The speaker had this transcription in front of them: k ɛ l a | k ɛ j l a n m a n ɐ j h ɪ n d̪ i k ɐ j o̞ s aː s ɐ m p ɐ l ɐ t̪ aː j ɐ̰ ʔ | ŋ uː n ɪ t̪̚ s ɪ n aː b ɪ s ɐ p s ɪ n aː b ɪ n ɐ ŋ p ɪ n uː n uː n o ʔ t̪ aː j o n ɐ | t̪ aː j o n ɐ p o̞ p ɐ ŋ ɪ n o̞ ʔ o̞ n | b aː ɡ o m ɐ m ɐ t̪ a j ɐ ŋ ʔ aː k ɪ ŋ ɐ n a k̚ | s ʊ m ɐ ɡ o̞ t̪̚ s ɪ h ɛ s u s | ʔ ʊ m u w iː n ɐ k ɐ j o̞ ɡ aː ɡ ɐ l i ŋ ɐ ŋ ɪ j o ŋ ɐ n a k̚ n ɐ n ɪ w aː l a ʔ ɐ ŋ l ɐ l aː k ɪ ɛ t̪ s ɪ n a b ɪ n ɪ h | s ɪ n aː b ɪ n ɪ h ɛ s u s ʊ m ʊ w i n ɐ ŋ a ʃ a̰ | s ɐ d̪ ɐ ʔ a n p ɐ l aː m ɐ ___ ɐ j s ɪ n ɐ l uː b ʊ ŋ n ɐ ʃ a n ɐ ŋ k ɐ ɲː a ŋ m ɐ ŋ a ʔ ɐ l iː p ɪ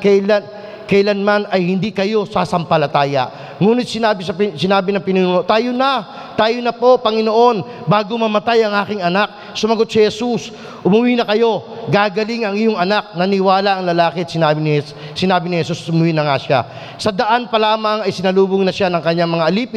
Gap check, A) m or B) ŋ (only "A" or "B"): B